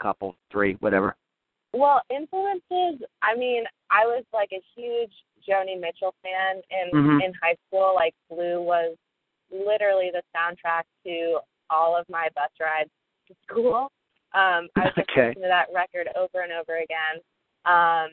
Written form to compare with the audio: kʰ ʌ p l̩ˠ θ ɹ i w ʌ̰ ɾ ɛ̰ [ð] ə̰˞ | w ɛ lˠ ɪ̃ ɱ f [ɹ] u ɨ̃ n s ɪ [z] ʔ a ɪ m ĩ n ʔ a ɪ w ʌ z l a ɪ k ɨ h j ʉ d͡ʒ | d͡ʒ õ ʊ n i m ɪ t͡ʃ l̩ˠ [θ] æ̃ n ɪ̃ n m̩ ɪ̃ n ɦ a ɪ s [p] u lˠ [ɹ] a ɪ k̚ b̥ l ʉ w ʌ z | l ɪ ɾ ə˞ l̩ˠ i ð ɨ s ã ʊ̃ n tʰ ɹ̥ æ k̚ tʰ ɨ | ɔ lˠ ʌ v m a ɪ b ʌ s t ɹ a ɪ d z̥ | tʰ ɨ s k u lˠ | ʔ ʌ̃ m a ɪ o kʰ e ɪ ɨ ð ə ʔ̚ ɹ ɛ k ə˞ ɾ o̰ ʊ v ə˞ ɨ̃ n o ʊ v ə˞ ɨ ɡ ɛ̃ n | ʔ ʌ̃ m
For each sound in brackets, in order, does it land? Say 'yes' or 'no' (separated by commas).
no, no, yes, no, no, no